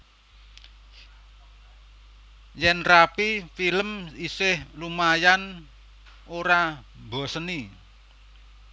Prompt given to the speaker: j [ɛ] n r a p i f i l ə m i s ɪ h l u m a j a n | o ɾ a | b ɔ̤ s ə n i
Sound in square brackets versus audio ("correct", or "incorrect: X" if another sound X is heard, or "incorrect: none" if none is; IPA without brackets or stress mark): correct